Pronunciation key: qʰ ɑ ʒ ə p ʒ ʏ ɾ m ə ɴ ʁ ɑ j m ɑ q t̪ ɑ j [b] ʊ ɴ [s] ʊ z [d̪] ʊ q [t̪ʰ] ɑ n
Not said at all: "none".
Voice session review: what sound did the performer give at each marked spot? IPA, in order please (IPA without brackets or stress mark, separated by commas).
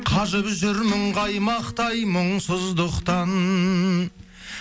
m, s, d̪, t̪